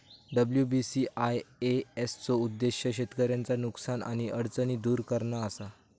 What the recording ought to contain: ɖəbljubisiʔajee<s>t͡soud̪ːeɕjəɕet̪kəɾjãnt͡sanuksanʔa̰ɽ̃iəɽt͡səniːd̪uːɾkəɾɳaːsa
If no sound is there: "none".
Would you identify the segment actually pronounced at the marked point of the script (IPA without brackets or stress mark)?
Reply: s